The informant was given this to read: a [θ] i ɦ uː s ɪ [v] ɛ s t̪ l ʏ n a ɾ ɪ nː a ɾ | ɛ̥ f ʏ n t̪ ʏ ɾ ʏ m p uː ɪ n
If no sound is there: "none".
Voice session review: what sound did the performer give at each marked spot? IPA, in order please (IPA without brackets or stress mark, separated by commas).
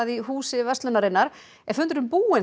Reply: ð, v